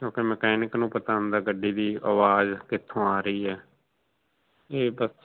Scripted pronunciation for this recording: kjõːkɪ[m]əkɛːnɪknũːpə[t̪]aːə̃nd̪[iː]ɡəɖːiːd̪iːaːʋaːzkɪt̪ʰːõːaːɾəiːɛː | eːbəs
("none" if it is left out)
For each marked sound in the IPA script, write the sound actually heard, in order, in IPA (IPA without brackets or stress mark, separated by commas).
m, t̪, aː